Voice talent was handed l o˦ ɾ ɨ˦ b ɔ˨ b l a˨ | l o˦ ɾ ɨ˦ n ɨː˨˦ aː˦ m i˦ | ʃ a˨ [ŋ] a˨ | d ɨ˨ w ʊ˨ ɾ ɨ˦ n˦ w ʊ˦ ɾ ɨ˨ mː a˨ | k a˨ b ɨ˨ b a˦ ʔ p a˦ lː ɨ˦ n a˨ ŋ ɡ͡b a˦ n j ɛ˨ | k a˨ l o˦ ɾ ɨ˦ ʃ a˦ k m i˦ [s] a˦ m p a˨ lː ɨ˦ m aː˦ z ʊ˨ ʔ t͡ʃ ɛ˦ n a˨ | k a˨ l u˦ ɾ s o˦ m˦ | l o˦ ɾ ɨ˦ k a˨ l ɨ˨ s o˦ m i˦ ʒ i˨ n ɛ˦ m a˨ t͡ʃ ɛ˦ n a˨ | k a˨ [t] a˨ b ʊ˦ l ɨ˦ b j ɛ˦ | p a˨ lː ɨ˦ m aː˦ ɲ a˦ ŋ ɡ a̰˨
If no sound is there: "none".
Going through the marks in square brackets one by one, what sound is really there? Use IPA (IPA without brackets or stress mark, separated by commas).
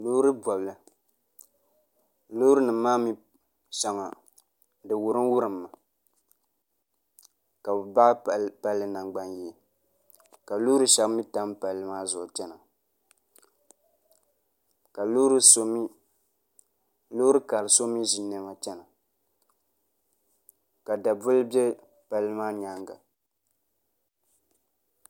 ŋ, t, d